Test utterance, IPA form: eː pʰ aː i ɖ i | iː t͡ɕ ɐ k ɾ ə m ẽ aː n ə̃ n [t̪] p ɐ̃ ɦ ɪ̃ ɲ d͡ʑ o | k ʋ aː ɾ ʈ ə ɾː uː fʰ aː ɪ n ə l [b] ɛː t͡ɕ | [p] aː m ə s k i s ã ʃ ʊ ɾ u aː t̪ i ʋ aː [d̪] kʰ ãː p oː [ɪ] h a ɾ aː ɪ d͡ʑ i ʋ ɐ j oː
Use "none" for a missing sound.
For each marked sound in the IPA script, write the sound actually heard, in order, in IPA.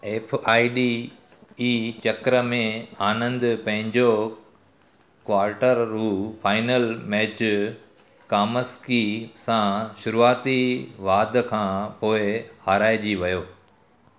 d̪, m, k, d̪, ɪ

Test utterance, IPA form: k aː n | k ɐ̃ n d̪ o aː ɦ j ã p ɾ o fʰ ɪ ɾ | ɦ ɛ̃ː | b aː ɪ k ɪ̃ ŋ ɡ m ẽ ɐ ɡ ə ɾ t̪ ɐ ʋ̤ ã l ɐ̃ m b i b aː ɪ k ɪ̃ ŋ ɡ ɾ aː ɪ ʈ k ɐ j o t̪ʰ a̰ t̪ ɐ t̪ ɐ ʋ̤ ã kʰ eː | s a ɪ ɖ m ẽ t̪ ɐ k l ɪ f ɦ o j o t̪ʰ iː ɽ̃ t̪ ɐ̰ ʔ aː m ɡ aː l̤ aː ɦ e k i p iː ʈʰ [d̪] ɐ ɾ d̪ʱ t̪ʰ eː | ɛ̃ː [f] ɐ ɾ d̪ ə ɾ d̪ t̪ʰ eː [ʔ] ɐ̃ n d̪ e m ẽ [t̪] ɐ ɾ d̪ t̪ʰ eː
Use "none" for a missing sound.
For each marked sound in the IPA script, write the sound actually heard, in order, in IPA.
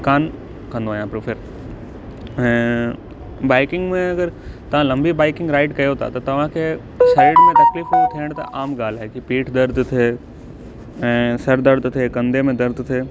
d̪, s, k, d̪

